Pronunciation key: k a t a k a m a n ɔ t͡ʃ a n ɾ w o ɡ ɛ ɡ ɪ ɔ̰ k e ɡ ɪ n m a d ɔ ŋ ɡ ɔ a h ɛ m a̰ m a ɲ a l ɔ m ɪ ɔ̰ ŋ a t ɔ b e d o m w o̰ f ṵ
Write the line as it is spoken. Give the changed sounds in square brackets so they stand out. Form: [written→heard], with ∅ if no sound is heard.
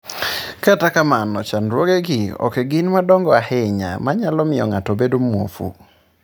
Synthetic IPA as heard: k a t a k a m a n ɔ t͡ʃ a n ɾ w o ɡ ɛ ɡ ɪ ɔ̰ k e ɡ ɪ n m a d ɔ ŋ ɡ ɔ a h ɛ [m→ɲ] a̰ m a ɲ a l ɔ m ɪ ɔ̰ ŋ a t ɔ b e d o m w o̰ f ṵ